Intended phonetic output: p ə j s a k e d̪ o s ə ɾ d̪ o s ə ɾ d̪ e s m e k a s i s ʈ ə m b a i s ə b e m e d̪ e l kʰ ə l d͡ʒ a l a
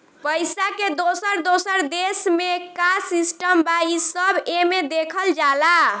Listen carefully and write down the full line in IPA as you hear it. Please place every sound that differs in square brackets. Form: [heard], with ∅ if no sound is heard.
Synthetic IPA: p ə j s a k e d̪ o s ə ɾ d̪ o s ə ɾ d̪ e s m e k a s i s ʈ ə m b a i s ə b e m e d̪ e [∅] kʰ ə l d͡ʒ a l a